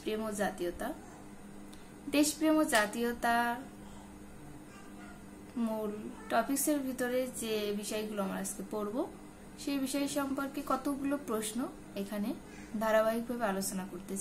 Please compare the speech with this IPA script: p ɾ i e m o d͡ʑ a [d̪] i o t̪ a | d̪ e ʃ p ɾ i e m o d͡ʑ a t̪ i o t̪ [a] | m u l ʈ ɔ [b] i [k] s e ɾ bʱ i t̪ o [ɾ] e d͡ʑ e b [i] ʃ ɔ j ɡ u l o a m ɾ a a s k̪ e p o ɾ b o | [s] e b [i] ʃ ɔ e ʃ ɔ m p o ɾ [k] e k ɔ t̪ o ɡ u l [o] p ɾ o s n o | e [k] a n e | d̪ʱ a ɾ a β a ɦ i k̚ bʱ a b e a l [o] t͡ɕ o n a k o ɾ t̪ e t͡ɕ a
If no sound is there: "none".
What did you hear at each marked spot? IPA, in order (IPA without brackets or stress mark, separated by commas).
t̪, a, p, k, ɾ, i, ʃ, i, k, o, kʰ, o